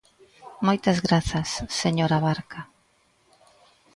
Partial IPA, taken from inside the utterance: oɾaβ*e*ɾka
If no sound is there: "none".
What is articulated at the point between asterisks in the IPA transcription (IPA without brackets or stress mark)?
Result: a